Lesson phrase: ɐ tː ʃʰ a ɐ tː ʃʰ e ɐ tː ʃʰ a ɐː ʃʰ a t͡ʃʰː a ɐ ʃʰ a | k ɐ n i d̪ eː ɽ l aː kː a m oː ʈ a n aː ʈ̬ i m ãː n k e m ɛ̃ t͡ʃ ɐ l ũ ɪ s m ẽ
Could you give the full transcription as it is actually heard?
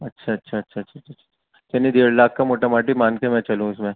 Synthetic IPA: ɐ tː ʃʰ a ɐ tː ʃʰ a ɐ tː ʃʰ a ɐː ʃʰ a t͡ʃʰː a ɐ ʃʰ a | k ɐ n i d̪ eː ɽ l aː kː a m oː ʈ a m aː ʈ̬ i m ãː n k e m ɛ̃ t͡ʃ ɐ l ũ ɪ s m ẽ